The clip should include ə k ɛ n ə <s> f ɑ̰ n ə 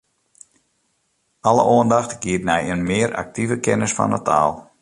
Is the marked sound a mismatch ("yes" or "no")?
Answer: no